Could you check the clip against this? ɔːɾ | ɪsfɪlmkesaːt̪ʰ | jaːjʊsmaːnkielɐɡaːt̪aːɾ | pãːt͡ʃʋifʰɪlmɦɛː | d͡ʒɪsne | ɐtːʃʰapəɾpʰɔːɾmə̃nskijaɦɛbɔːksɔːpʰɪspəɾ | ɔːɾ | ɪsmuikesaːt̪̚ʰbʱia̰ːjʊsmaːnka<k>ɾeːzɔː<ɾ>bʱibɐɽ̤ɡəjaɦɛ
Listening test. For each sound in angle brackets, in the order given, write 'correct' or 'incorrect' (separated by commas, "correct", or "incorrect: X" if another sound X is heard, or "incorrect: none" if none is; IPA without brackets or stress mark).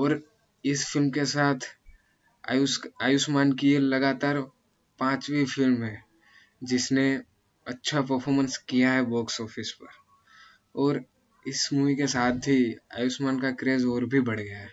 correct, correct